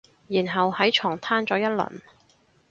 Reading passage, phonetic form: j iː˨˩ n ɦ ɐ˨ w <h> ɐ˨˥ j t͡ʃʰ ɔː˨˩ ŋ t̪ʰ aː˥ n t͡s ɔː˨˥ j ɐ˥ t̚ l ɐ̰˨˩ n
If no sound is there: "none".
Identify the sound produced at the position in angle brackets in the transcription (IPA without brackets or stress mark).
h